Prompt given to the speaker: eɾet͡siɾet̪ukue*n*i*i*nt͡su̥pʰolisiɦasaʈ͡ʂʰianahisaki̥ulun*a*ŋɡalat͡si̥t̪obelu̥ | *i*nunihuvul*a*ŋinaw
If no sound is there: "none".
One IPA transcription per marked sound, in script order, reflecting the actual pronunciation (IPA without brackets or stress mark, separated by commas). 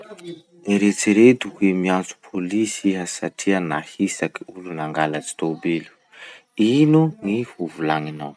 m, a, a, i, a